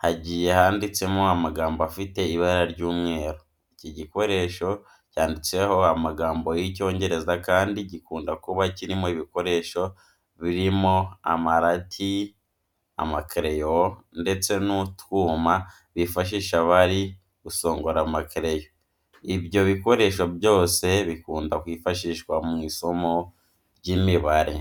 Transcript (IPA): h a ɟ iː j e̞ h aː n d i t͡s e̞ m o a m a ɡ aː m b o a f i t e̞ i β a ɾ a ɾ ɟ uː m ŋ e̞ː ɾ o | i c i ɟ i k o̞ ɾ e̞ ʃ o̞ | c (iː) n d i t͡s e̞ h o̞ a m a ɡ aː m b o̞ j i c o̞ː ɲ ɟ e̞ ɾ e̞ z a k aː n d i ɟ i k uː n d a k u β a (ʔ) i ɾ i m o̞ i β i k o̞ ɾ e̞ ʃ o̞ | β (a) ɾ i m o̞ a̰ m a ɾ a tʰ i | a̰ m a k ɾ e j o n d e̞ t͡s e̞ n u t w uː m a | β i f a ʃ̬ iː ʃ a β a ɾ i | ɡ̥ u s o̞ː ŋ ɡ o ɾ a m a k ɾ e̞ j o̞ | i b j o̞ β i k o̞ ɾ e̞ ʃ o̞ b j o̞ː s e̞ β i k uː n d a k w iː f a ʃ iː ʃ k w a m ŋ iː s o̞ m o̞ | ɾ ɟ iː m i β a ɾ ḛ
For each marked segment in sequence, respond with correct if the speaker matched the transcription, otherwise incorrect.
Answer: incorrect: aː, incorrect: c, incorrect: i

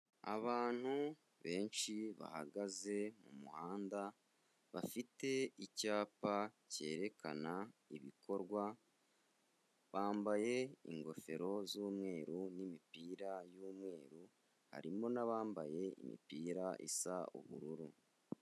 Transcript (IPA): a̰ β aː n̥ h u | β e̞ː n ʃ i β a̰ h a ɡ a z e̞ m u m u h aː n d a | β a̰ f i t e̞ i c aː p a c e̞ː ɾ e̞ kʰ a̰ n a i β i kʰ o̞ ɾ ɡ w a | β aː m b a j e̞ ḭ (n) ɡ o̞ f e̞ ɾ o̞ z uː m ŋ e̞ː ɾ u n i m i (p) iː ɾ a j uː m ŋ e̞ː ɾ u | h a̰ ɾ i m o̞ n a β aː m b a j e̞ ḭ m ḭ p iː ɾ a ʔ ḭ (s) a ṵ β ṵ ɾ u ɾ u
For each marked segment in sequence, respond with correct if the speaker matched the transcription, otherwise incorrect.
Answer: incorrect: ŋ, correct, correct

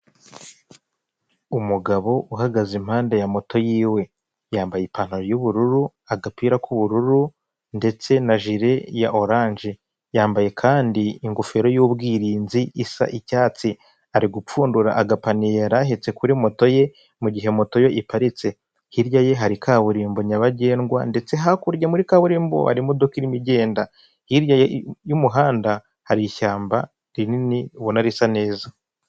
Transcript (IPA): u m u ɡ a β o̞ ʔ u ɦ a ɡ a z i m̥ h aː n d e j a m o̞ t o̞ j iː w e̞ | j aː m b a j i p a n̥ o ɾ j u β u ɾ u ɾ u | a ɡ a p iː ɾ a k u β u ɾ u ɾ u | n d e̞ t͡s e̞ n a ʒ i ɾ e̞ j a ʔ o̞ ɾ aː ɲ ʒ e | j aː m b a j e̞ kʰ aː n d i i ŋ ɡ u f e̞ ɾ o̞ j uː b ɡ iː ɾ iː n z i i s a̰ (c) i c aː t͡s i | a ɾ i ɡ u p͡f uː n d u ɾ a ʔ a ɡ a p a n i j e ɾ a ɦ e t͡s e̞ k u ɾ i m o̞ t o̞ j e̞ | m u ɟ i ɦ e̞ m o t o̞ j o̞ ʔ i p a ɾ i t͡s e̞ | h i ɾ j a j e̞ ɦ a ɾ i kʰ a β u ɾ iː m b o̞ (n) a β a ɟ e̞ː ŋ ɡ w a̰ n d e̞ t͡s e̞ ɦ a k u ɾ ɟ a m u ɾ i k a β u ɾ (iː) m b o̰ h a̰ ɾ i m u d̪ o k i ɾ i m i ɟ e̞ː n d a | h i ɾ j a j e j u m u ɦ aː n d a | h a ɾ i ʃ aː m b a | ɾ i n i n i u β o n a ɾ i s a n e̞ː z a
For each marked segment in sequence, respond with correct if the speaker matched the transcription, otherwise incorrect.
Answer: incorrect: ʔ, incorrect: ɲ, correct

